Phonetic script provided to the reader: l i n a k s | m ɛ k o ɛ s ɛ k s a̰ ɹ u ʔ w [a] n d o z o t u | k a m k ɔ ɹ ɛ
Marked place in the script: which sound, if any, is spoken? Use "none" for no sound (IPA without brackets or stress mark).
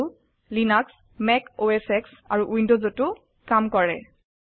i